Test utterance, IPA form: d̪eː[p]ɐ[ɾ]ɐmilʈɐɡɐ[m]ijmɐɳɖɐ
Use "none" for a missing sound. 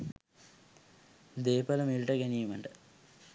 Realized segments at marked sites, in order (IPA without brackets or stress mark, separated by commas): p, l, n